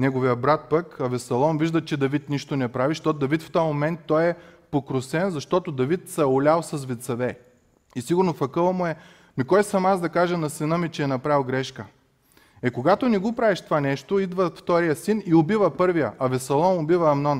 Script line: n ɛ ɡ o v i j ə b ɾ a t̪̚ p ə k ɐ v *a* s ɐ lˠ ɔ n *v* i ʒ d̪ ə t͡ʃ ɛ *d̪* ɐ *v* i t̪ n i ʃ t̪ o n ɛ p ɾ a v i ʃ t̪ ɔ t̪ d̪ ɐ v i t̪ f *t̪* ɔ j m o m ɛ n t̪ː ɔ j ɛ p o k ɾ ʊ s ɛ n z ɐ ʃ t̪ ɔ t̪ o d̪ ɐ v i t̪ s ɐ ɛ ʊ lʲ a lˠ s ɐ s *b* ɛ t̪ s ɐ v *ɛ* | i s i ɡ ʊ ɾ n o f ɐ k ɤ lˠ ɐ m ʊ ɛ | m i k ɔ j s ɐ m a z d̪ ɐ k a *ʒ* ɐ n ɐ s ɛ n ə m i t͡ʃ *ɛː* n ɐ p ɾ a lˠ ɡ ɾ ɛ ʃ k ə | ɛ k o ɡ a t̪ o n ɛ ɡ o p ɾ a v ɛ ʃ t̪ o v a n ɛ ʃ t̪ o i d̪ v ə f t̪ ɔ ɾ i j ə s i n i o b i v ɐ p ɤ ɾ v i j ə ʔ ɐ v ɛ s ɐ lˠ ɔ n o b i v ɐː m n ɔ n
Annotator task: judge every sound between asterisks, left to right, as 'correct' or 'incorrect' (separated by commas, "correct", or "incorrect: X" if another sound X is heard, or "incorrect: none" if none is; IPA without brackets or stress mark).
incorrect: ɛ, correct, correct, correct, correct, incorrect: v, correct, correct, correct